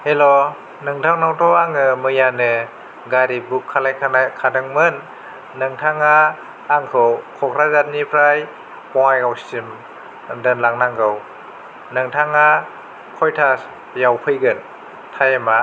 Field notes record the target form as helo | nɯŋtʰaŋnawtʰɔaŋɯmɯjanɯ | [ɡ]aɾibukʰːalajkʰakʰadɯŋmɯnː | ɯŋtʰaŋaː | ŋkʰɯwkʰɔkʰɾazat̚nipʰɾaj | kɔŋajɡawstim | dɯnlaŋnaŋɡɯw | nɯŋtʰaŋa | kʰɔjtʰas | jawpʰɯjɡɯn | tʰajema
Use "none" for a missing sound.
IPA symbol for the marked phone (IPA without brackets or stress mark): ɡ